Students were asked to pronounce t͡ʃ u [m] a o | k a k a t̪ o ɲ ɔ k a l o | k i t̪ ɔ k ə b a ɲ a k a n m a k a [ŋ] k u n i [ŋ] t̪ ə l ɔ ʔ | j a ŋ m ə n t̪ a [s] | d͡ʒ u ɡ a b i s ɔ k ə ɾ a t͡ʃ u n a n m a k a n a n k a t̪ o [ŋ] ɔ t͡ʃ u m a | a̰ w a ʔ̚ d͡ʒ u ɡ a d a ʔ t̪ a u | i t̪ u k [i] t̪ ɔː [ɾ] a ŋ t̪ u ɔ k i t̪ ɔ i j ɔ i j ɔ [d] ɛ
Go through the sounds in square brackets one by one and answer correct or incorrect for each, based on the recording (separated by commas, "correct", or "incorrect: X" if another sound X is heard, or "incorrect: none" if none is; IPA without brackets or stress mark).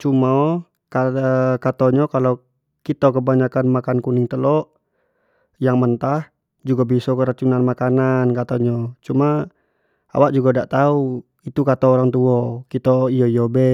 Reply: correct, incorrect: n, correct, incorrect: h, incorrect: ɲ, incorrect: a, correct, incorrect: b